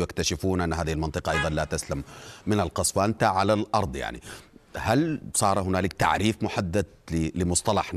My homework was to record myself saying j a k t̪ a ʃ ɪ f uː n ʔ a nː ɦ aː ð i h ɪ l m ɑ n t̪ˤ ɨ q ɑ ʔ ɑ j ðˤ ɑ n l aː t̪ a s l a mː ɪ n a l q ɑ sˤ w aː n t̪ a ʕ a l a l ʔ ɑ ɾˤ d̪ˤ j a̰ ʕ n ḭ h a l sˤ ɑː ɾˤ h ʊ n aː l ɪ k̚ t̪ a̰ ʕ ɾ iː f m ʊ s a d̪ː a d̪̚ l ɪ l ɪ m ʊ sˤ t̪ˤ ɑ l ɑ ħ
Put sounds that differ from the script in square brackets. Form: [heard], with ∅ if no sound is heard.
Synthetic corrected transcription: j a k t̪ a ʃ ɪ f uː n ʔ a nː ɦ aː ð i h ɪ l m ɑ n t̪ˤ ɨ q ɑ ʔ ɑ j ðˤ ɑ n l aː t̪ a s l a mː ɪ n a l q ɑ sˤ w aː n t̪ a ʕ a l a l ʔ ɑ ɾˤ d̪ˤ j a̰ ʕ n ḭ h a l sˤ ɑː ɾˤ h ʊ n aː l ɪ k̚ t̪ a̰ ʕ ɾ iː f m ʊ [ħ] a d̪ː a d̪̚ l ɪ l ɪ m ʊ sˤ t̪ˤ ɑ l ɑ ħ